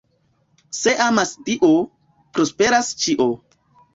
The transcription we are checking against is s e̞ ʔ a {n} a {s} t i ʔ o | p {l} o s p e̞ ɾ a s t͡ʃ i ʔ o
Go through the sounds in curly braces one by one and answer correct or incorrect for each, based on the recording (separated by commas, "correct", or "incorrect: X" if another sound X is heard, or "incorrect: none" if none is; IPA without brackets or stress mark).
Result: incorrect: m, correct, incorrect: ɾ